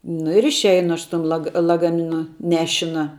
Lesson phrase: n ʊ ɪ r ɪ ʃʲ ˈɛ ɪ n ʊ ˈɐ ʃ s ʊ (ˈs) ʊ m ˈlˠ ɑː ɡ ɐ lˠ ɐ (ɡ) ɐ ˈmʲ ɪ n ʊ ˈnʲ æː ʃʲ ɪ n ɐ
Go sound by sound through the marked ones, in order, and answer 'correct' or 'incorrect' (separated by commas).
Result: incorrect, correct